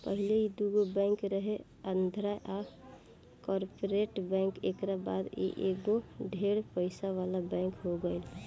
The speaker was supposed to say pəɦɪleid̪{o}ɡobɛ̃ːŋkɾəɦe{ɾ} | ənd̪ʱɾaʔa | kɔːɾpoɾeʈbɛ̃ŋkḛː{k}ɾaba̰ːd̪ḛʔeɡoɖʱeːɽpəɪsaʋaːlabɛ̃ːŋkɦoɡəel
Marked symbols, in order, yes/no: no, no, yes

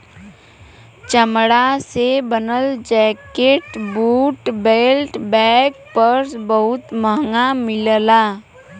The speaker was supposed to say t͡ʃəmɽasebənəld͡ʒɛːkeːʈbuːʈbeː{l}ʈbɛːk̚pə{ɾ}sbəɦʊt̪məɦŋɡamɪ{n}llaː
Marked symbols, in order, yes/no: yes, yes, no

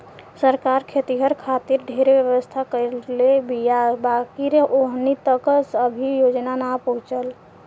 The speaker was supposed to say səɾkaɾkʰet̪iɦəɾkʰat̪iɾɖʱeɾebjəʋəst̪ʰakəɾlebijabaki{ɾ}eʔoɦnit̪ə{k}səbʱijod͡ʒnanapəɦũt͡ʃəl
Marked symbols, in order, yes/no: yes, yes

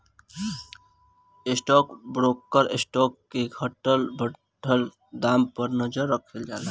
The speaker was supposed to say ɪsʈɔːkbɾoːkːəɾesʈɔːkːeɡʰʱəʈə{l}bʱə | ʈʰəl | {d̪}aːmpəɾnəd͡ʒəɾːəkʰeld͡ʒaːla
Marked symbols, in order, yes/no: yes, yes

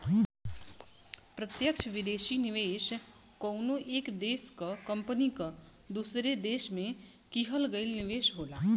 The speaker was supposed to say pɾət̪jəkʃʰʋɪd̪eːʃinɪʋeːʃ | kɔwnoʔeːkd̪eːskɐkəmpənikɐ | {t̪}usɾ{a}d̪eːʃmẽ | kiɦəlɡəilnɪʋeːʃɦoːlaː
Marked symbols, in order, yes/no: no, no

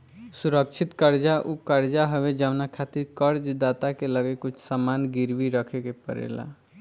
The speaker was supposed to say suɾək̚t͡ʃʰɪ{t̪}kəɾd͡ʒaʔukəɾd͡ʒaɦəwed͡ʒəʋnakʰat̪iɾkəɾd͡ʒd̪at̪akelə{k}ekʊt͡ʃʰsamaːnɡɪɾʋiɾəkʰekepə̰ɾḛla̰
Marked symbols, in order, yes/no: yes, no

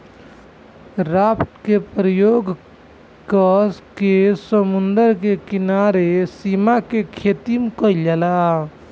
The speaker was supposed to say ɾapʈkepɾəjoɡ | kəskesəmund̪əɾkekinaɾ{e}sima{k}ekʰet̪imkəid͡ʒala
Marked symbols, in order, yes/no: yes, yes

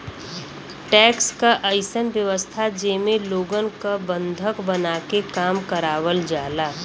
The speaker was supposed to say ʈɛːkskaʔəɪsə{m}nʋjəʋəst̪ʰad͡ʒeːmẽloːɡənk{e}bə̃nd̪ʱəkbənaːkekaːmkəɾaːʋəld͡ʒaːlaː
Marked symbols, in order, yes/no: no, no

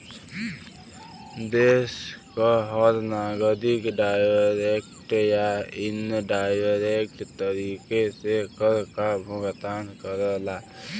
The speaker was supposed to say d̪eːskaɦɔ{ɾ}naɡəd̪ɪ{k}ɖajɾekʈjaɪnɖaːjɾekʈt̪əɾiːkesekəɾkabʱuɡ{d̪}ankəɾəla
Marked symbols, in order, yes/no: yes, yes, no

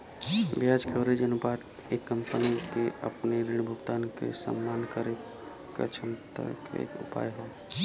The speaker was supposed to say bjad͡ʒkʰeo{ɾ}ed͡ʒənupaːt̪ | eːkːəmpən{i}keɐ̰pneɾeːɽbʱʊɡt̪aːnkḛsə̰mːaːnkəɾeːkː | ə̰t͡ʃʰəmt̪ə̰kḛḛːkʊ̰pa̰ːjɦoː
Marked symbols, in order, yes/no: yes, yes

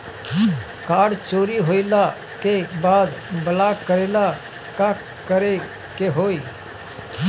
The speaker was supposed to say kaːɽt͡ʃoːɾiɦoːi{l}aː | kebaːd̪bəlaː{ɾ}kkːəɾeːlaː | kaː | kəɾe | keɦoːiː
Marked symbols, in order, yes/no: yes, no

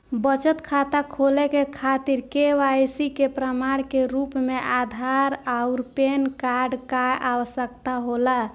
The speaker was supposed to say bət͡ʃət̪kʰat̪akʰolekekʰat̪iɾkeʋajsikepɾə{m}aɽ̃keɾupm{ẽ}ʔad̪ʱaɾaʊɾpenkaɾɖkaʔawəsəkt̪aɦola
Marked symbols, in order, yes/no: yes, no

